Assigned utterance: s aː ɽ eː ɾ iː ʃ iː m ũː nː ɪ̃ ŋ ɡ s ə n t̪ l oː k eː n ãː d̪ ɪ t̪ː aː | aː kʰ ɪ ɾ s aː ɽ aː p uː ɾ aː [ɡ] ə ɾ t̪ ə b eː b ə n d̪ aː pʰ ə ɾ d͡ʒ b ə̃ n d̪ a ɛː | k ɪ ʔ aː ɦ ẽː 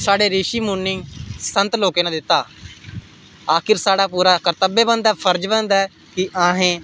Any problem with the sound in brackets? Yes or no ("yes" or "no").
yes